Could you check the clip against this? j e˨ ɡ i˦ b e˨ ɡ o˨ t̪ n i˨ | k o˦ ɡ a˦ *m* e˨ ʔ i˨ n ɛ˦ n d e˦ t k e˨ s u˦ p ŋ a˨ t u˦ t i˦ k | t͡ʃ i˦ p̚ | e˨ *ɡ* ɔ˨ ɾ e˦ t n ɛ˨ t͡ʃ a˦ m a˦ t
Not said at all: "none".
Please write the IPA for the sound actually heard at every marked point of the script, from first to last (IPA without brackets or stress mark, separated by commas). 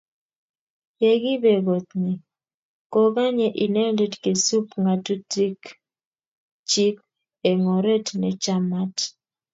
ɲ, ŋ